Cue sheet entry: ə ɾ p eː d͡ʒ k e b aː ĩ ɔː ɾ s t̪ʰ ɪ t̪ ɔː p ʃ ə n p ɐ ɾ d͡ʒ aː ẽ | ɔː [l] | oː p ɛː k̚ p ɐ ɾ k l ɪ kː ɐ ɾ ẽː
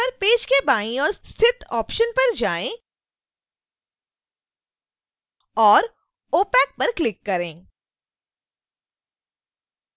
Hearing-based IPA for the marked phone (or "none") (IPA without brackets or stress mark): ɾ